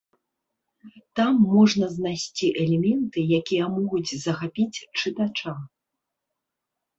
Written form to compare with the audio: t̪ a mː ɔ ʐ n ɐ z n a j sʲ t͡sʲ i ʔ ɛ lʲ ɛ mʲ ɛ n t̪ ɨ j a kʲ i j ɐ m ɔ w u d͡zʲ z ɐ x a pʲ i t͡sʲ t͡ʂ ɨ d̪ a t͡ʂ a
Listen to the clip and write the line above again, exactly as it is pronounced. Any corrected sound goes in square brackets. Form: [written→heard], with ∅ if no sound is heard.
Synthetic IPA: t̪ a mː ɔ ʐ n ɐ z n a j sʲ t͡sʲ i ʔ ɛ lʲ ɛ mʲ ɛ n t̪ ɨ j a kʲ i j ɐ m ɔ [w→ɣ] u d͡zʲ z ɐ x a pʲ i t͡sʲ t͡ʂ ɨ [d̪→t̪] a t͡ʂ a